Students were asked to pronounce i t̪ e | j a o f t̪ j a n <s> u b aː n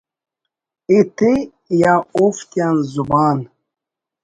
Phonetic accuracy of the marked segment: incorrect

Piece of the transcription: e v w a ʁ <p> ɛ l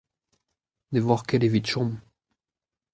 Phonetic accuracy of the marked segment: incorrect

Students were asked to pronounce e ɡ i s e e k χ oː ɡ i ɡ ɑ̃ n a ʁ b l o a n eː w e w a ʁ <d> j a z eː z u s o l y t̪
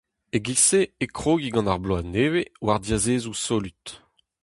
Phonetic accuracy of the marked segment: correct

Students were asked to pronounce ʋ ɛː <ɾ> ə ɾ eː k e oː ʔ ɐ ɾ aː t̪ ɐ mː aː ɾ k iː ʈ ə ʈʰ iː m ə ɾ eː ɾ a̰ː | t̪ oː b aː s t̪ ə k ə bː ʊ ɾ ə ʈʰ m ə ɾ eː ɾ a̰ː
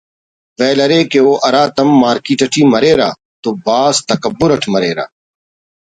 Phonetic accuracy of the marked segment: incorrect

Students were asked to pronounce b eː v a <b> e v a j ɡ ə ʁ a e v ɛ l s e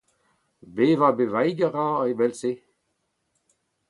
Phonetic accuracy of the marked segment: correct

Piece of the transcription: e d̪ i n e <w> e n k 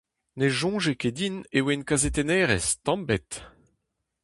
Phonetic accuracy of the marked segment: correct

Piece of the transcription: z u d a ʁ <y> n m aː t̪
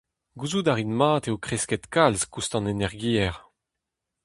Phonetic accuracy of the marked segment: incorrect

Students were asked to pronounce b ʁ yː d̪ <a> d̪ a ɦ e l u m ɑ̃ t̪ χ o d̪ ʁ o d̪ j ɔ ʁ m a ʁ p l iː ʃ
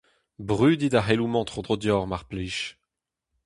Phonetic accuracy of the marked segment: incorrect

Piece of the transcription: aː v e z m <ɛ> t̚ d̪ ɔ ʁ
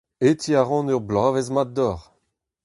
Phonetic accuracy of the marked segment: incorrect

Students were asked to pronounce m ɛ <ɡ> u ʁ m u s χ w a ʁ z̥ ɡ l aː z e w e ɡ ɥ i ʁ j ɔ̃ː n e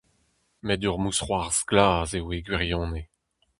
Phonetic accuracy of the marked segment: incorrect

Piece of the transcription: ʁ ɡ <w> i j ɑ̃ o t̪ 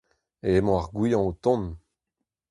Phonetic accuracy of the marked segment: correct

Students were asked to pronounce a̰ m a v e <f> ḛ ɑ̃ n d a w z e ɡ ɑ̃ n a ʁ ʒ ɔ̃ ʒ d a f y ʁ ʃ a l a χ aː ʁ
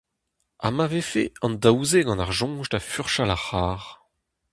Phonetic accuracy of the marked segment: correct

